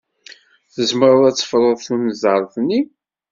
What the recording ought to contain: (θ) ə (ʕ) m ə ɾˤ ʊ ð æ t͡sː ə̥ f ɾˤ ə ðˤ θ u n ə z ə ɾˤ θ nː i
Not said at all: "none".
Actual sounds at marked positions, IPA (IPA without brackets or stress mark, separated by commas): θ, z